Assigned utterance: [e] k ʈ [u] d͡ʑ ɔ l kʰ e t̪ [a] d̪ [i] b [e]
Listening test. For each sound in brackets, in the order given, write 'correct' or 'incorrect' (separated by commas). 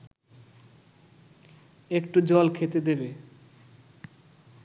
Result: correct, correct, incorrect, incorrect, correct